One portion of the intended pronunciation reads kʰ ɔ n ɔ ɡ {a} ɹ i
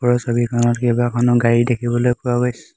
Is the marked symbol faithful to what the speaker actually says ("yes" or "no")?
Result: yes